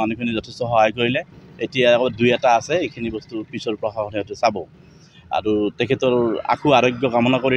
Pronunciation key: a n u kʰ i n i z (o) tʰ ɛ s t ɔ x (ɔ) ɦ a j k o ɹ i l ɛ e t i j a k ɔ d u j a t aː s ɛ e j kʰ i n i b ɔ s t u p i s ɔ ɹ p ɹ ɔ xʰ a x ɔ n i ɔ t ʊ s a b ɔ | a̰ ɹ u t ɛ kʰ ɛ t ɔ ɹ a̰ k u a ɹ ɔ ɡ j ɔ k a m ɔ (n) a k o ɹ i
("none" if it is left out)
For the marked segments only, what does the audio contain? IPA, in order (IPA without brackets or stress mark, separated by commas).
ɔ, ɔ, n